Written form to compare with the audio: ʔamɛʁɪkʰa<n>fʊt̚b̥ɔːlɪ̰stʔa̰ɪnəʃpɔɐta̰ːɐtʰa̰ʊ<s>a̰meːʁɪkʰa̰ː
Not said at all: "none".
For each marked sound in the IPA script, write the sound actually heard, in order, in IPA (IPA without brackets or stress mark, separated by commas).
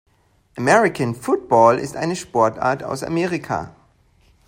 n, s